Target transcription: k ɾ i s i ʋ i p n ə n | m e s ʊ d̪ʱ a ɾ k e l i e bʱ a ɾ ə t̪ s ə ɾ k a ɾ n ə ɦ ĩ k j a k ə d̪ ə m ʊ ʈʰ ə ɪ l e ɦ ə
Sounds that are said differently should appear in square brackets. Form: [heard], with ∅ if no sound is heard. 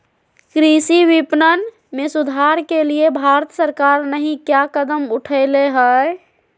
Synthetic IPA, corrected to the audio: k ɾ i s i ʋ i p n ə n | m e s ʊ d̪ʱ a ɾ k e l i e bʱ a ɾ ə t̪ s ə ɾ k a ɾ n ə ɦ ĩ k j a k ə d̪ ə m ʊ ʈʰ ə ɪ l e ɦ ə